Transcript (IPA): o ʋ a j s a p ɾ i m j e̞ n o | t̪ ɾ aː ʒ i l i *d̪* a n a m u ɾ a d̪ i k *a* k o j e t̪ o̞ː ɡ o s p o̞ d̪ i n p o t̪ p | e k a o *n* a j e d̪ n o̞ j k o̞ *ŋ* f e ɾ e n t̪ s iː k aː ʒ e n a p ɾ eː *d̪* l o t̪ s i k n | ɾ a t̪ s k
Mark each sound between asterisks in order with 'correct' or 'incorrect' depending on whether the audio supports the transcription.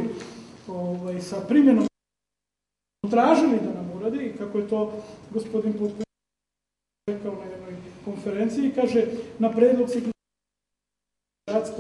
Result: correct, correct, correct, incorrect: n, correct

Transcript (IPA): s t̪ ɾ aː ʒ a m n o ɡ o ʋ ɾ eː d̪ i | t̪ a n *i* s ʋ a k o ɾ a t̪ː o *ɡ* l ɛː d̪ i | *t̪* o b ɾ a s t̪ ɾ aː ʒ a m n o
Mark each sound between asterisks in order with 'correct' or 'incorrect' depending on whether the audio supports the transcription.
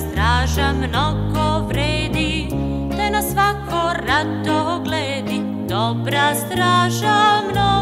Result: incorrect: a, correct, incorrect: d̪

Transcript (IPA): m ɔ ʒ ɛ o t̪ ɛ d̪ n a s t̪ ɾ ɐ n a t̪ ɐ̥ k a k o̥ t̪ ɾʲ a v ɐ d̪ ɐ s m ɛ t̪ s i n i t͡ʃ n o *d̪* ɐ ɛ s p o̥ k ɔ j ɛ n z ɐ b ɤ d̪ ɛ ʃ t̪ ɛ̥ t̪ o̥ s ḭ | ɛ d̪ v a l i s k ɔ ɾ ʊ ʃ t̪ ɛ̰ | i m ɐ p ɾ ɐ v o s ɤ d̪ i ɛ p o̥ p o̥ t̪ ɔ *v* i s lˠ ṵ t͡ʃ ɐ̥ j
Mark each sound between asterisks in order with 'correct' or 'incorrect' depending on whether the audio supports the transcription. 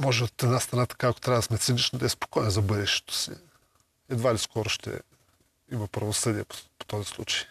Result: correct, incorrect: z

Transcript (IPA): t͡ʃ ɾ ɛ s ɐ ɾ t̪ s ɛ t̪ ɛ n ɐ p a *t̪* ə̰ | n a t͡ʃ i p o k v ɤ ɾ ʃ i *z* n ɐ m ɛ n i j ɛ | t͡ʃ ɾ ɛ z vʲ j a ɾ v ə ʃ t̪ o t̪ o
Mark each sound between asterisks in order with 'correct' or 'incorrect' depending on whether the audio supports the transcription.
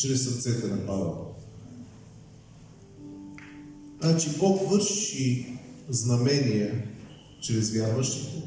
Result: incorrect: d̪, correct

